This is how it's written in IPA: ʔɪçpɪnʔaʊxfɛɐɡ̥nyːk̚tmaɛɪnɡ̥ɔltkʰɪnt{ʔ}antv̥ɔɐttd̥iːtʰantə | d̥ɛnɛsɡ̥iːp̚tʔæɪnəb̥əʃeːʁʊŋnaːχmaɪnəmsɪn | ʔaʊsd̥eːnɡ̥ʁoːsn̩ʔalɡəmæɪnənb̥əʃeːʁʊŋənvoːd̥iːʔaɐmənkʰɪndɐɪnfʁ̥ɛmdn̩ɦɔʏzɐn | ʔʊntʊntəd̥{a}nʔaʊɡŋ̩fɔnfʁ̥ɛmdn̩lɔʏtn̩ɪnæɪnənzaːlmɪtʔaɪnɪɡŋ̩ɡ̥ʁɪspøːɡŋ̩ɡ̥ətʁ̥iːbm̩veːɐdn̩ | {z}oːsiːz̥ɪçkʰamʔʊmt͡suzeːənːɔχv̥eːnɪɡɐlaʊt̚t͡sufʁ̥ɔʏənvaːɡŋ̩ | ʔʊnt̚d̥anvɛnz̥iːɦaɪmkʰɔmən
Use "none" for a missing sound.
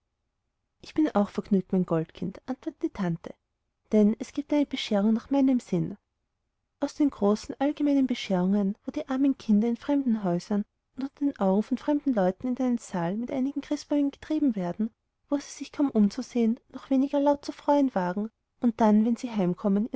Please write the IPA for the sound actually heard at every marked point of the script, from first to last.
ʔ, e, v

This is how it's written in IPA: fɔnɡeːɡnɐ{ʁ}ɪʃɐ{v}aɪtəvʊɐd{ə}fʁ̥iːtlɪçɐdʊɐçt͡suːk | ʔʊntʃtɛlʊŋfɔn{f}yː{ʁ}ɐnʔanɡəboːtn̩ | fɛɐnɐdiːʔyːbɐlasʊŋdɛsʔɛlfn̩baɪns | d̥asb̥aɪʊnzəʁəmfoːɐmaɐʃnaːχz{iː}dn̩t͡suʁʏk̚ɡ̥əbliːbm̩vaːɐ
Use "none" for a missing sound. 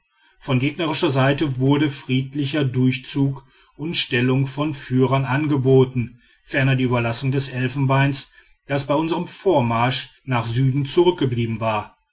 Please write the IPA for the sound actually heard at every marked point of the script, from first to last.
ʁ, z, ə, f, ʁ, yː

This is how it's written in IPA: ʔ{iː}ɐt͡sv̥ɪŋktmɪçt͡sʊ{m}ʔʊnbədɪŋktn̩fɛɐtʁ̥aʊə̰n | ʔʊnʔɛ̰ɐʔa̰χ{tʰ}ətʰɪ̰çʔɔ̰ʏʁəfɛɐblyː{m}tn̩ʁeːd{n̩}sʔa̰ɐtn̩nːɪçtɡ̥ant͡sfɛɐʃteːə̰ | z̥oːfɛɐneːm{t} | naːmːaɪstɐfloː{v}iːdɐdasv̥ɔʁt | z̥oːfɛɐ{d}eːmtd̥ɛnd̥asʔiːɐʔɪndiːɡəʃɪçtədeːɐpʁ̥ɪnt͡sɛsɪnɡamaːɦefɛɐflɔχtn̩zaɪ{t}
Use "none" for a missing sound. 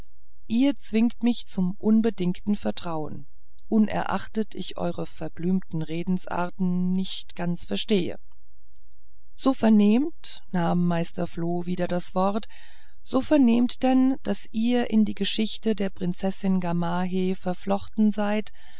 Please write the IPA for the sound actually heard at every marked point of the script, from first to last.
iː, m, t, m, n̩, t, v, n, t

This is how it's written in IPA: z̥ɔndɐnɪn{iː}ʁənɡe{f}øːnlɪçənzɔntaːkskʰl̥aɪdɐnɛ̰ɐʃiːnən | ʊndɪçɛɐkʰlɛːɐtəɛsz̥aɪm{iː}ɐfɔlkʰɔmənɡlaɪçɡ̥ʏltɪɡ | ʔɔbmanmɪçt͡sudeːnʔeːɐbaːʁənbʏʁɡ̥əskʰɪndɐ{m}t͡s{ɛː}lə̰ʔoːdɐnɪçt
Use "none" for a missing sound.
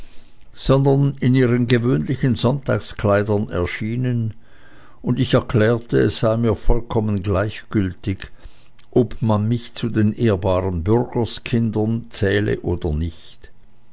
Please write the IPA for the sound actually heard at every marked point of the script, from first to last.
iː, v, iː, n, ɛː

